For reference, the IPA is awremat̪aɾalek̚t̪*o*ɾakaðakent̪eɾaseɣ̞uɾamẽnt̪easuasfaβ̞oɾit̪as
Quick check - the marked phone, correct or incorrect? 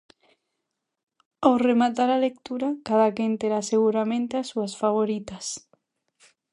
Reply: incorrect